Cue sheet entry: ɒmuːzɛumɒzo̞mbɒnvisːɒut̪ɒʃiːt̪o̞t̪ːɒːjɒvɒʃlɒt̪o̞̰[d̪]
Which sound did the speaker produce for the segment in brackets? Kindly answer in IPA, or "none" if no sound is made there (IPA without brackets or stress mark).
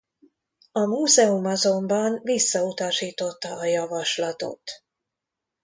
t̪